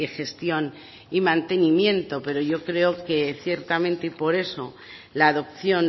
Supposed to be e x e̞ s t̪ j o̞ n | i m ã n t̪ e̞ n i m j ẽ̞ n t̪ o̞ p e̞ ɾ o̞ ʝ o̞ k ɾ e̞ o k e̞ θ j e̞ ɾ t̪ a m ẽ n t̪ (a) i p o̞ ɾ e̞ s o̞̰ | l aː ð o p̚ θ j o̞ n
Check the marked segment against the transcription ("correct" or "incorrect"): incorrect